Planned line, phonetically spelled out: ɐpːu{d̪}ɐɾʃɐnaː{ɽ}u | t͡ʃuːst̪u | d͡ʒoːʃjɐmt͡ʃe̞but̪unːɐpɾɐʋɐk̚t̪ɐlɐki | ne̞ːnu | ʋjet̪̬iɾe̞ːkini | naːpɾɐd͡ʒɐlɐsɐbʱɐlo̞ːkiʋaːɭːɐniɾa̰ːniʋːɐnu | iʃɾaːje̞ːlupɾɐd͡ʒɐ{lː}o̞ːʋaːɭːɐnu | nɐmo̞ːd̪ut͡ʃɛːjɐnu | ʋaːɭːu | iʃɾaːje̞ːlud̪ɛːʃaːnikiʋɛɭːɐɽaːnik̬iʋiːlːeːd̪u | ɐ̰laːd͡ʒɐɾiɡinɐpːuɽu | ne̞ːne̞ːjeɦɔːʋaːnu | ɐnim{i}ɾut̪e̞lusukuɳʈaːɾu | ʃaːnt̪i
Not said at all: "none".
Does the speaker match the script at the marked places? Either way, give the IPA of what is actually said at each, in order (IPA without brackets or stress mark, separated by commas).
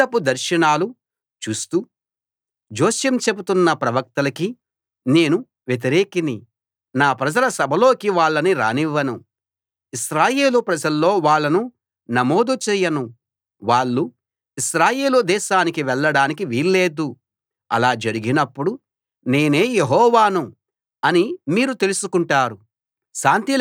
d̪, l, lː, iː